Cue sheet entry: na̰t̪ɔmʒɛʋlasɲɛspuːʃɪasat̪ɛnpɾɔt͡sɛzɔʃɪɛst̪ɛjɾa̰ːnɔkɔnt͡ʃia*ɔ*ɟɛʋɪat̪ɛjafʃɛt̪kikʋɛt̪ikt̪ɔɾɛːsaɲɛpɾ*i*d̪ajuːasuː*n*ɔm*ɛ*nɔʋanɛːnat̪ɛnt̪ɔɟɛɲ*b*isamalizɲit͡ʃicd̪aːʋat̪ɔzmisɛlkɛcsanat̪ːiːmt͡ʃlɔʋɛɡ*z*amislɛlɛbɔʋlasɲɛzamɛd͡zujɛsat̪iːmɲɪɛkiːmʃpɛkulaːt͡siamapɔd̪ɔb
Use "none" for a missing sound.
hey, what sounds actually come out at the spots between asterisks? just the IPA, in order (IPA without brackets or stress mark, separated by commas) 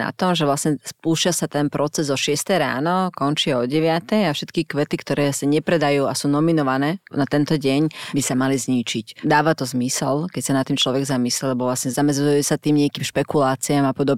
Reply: ɔ, ɛ, n, i, b, z